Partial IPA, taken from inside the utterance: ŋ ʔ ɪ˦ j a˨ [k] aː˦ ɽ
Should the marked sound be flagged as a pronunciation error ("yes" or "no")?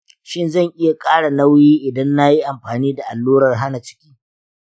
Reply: yes